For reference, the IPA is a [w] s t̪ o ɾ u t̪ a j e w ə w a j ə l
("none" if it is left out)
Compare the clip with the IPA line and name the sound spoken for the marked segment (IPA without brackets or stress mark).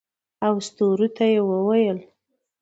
w